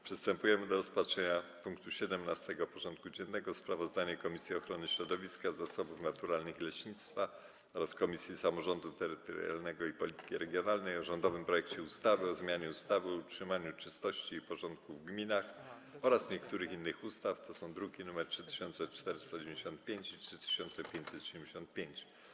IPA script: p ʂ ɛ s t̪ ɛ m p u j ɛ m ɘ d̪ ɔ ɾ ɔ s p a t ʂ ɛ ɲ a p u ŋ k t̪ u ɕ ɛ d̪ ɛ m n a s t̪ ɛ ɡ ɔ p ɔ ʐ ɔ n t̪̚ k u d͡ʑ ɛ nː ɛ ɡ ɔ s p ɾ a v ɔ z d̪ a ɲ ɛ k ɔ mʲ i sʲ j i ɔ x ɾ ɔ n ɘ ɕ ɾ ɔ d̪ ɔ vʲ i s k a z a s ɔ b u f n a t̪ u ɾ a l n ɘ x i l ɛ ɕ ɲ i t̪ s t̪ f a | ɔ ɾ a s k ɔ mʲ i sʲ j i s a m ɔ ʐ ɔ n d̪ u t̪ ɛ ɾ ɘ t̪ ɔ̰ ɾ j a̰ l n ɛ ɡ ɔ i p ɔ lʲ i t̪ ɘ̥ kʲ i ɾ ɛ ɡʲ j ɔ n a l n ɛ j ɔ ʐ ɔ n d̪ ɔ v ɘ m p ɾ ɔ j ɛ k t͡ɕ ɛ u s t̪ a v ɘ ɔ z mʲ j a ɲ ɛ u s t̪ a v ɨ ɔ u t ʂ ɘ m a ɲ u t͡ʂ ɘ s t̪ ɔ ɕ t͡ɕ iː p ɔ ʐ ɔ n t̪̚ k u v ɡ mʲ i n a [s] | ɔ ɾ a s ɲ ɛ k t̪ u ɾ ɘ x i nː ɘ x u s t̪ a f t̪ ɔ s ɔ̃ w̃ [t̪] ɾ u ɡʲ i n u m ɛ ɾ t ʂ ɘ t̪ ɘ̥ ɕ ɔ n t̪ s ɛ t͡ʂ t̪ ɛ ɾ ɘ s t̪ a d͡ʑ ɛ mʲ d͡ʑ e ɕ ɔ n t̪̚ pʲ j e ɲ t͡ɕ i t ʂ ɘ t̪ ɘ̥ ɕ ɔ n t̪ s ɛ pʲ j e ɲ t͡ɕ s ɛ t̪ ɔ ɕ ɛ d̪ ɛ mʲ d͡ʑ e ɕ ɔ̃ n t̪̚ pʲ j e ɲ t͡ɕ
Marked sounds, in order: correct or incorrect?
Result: incorrect, incorrect

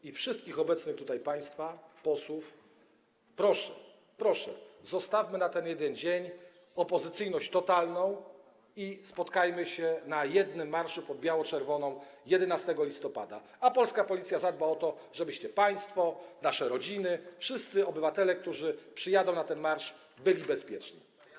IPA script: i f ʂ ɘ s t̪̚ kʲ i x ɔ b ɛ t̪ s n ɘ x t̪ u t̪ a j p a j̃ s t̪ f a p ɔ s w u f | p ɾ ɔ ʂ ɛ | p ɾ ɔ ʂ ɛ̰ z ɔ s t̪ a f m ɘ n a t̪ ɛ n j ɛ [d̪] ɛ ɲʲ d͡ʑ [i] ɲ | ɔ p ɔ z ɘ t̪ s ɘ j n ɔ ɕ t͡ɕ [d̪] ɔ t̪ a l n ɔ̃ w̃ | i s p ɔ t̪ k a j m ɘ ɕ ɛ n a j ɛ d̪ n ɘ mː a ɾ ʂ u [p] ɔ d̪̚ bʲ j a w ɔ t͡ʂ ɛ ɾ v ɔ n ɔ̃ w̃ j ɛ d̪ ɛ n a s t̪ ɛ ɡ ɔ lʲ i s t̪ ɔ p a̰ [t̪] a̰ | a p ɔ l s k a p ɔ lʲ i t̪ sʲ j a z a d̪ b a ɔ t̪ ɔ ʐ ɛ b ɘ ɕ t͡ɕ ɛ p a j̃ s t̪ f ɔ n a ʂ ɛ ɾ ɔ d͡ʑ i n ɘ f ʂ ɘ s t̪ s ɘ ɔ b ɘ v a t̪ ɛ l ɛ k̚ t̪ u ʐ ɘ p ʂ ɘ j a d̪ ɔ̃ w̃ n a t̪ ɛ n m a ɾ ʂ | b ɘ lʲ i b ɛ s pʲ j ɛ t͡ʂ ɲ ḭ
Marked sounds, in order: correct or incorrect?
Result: correct, incorrect, incorrect, correct, incorrect

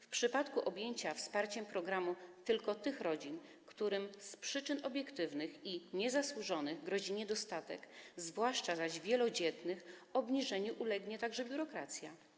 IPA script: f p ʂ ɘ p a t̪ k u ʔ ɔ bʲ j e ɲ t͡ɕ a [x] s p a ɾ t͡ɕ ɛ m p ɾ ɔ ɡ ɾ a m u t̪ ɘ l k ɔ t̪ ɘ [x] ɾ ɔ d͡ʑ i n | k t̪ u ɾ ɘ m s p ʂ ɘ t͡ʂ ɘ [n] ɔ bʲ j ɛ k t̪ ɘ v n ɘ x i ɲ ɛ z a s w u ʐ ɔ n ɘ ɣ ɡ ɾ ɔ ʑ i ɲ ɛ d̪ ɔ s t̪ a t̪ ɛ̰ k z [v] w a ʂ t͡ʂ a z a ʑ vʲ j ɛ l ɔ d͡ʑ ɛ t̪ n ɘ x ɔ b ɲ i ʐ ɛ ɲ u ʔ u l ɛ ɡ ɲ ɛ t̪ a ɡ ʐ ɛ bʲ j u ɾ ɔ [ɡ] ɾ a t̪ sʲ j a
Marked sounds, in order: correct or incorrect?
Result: incorrect, correct, correct, correct, incorrect

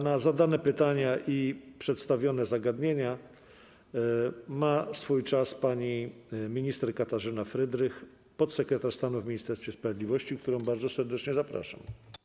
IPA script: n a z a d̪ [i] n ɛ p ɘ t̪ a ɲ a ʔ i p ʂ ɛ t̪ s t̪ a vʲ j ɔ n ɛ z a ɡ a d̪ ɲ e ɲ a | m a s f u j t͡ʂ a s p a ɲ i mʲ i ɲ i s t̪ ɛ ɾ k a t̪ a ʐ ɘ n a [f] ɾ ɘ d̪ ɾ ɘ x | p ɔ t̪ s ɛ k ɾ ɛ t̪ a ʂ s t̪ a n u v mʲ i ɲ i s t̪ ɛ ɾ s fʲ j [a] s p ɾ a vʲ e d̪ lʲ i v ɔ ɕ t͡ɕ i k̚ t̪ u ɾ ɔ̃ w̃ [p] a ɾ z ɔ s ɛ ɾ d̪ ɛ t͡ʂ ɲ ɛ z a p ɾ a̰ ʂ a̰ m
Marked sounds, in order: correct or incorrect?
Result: incorrect, correct, incorrect, incorrect

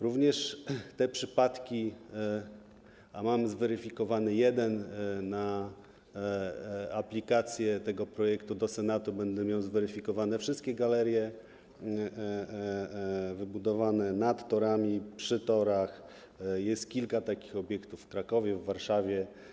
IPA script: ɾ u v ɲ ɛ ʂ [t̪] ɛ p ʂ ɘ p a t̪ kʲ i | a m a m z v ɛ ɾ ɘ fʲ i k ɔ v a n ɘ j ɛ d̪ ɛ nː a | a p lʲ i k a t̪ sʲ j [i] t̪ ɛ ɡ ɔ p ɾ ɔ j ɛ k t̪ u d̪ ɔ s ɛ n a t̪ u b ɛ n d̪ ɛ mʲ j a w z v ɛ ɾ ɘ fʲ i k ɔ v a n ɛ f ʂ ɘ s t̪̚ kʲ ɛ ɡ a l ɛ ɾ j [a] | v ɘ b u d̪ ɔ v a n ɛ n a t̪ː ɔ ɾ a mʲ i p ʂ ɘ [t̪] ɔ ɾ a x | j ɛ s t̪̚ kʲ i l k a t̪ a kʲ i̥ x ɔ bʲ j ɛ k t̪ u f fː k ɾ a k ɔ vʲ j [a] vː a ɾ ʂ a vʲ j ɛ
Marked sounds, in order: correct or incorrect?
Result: correct, incorrect, incorrect, correct, incorrect

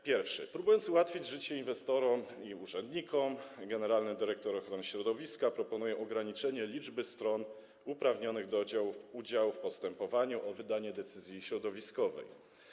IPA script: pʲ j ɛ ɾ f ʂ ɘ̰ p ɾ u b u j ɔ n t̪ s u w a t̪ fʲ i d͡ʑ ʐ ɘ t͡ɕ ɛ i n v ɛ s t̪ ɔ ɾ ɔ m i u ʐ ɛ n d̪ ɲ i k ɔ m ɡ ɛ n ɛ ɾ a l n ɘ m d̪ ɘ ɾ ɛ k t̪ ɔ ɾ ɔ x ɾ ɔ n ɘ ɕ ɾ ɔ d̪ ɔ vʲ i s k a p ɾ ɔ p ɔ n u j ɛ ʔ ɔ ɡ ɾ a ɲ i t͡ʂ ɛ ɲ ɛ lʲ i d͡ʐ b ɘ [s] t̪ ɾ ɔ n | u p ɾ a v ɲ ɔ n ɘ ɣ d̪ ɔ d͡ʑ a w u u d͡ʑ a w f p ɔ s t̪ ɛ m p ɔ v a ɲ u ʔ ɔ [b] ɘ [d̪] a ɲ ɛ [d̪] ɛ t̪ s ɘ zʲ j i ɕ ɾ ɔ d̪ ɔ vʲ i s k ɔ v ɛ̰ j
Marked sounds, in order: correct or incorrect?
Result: correct, incorrect, correct, correct

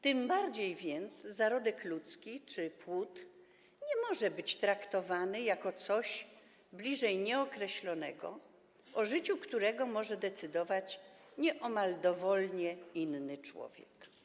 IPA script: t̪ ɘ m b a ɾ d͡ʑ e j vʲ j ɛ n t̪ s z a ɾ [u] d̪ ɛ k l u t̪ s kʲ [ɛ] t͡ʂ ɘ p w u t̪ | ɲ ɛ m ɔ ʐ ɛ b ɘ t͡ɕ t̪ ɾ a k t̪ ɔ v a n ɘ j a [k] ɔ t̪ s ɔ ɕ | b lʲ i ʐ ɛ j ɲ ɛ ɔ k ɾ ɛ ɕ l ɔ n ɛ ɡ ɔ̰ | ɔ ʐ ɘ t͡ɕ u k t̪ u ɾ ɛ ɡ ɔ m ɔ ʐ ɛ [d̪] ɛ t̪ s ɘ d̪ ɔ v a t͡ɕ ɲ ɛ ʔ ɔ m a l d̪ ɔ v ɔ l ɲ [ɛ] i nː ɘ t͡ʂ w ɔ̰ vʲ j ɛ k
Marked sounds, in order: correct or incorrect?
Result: incorrect, incorrect, correct, correct, correct

